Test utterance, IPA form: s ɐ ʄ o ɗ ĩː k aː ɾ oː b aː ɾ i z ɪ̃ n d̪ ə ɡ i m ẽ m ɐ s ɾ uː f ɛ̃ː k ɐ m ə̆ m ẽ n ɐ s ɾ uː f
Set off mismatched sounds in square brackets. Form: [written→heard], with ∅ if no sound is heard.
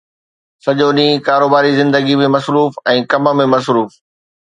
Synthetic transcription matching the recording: s ɐ ʄ o ɗ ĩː k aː ɾ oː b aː ɾ i z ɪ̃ n d̪ ə ɡ i m ẽ m ɐ s ɾ uː f ɛ̃ː k ɐ m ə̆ m ẽ [n→m] ɐ s ɾ uː f